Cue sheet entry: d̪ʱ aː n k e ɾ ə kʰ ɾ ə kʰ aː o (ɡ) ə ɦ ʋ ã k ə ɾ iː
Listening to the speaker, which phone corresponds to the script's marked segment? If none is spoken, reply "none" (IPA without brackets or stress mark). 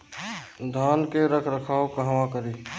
k